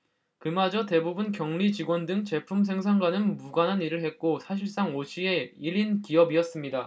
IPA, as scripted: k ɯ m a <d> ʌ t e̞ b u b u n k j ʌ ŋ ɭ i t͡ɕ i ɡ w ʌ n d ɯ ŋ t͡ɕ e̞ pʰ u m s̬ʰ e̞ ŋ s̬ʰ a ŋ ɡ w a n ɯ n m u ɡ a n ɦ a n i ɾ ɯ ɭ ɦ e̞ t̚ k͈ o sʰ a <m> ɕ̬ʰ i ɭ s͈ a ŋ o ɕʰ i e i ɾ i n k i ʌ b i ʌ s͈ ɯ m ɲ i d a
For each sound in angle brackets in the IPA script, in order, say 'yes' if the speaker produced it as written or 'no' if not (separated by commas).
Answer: no, no